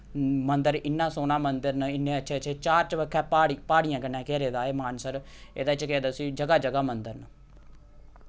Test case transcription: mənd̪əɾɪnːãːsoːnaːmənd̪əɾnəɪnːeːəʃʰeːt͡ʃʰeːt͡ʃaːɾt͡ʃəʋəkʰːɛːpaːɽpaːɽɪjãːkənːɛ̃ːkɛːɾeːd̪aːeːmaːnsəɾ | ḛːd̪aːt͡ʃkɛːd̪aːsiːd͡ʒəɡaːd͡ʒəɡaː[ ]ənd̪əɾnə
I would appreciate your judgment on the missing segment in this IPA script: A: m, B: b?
A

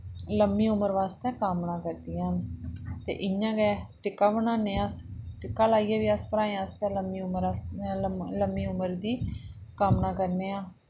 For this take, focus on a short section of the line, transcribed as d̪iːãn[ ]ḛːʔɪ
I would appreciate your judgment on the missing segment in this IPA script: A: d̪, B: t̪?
B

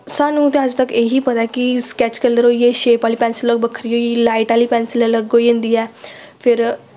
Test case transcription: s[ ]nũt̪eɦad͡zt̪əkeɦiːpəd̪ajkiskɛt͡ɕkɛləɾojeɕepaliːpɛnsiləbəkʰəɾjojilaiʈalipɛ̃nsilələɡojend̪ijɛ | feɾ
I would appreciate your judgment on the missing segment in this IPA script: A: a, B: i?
A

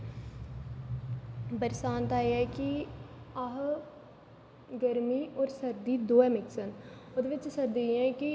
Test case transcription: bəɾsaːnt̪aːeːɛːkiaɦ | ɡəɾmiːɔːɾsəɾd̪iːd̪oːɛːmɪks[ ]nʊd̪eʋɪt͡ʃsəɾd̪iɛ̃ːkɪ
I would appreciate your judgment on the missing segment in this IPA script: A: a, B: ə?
B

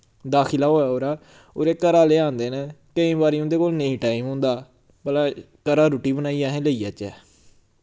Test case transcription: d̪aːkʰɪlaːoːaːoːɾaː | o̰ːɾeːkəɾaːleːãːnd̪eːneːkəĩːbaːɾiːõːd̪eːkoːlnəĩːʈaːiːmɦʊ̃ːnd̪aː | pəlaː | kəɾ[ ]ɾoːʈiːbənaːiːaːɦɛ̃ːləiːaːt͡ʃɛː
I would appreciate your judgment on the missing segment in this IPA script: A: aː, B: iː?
A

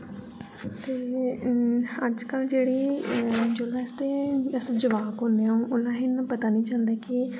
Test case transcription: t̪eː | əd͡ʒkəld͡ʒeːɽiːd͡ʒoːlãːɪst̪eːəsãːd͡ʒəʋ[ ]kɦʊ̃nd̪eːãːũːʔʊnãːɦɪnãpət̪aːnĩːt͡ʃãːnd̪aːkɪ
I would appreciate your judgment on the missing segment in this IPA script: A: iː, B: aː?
B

